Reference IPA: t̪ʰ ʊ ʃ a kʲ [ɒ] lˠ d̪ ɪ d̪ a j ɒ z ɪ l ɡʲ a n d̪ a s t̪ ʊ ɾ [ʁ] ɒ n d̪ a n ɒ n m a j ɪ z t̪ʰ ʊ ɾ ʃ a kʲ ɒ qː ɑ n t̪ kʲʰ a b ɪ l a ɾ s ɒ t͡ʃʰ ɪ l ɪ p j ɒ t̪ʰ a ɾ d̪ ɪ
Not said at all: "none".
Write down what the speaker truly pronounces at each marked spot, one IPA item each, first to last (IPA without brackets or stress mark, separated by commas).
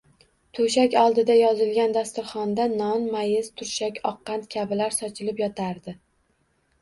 ɒ, χ